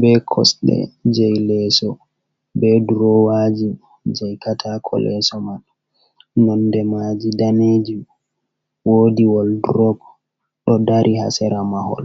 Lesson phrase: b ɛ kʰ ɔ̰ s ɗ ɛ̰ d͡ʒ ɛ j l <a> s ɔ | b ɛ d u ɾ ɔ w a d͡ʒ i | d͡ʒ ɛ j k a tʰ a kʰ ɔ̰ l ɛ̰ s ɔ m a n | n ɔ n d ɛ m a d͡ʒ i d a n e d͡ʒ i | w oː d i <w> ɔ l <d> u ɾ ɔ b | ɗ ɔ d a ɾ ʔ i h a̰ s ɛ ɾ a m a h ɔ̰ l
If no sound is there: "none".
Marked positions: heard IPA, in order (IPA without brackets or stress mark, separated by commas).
ɛ, w, d